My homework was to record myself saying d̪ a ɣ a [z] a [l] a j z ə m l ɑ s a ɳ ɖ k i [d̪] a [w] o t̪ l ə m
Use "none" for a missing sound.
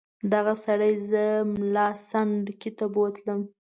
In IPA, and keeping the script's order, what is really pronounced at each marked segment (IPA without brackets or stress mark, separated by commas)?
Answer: s, ɽ, t̪, b